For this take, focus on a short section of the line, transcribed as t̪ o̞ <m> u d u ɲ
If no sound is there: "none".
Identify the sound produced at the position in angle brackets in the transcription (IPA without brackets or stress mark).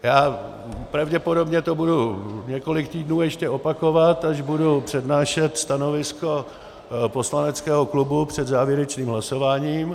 b